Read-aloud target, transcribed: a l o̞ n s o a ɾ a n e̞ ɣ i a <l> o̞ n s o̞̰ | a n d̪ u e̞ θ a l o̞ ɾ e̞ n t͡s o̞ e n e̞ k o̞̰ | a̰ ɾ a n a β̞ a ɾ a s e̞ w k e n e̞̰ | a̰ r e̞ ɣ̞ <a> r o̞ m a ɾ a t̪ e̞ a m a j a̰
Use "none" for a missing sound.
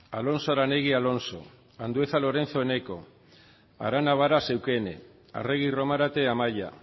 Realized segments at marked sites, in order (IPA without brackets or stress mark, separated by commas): l, i